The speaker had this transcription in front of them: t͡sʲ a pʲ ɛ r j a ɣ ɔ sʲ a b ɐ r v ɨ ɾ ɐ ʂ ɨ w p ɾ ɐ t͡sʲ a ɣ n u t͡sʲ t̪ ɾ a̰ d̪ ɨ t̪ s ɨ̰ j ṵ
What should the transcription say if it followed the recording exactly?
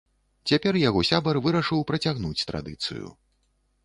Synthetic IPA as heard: t͡sʲ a pʲ ɛ r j a ɣ ɔ sʲ a b ɐ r v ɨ ɾ ɐ ʂ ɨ w p ɾ ɐ t͡sʲ a ɣ n u t͡sʲ t̪ ɾ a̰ d̪ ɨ t̪ s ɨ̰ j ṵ